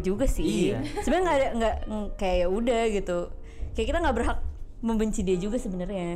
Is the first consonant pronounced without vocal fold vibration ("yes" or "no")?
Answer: no